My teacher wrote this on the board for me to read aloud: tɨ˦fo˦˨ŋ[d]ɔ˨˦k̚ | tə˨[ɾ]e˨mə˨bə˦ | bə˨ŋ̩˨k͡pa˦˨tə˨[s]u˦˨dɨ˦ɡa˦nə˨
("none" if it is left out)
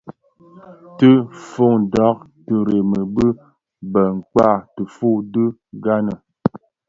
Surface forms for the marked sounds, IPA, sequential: d, ɾ, f

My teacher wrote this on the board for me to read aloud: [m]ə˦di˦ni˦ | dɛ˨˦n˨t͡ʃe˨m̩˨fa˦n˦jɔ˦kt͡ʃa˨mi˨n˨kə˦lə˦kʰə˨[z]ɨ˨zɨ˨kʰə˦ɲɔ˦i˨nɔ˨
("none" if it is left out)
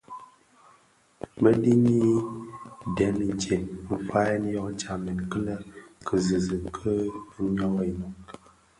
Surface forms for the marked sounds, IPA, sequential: m, z

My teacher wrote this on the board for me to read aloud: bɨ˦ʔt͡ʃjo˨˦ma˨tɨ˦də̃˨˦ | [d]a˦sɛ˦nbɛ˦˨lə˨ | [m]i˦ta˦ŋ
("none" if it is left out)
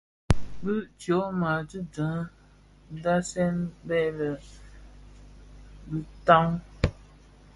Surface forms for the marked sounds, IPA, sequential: d, b

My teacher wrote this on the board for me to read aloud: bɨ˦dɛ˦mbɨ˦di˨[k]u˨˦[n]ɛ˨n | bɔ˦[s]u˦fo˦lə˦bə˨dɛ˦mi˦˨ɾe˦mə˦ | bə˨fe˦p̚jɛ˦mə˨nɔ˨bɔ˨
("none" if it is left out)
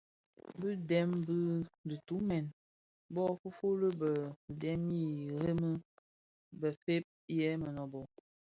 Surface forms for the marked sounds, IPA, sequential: t, m, f

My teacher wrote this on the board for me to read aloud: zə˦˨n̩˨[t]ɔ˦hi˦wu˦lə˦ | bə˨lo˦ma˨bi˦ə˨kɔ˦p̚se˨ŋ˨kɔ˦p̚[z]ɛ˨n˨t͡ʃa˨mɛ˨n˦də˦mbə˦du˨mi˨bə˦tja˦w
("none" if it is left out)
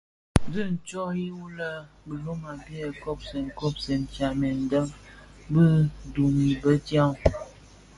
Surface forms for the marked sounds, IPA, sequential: t͡ʃ, s

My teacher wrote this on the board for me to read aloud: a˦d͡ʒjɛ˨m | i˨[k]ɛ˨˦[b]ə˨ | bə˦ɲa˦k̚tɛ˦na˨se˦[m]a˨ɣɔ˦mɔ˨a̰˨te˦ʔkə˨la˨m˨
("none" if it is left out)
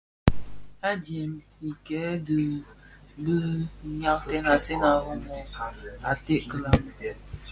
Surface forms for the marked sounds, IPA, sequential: k, d, n

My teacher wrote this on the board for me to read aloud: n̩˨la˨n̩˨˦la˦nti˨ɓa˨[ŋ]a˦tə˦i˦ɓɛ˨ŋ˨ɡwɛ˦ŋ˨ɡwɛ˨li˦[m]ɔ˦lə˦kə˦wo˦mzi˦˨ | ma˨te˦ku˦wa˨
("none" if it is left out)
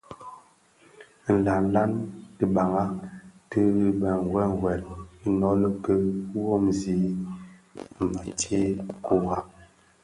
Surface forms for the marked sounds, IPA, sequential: ŋ, n

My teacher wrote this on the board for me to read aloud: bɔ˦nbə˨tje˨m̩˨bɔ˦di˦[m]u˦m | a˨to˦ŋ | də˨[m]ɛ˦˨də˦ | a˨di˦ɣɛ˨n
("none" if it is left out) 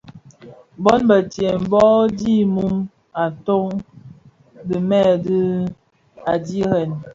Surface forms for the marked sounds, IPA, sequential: m, m

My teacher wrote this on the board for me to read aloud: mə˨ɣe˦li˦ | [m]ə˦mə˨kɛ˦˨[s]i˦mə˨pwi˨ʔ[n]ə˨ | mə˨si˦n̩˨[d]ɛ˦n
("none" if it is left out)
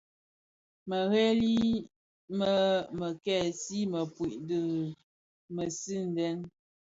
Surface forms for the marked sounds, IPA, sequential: m, s, d, d

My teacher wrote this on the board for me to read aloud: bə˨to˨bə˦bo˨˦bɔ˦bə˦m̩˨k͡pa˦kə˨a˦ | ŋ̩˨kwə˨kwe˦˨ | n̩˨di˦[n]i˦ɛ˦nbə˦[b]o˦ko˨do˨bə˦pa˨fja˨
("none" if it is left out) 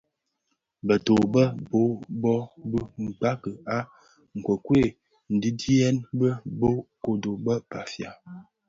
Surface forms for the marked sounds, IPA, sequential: d, b

